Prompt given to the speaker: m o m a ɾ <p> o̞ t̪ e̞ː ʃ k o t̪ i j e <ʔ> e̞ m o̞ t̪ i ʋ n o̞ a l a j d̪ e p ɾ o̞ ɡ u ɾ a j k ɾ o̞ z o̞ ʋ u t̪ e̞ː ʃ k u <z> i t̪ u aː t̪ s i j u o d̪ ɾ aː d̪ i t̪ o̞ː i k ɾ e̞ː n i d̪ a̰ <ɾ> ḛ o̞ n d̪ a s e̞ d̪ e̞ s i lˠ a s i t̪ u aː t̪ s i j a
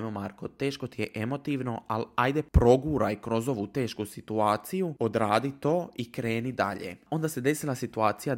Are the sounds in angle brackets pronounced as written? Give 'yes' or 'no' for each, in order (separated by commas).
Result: no, yes, no, no